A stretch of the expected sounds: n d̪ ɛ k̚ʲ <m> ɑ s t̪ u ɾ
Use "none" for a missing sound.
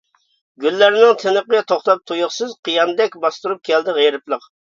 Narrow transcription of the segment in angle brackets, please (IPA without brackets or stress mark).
b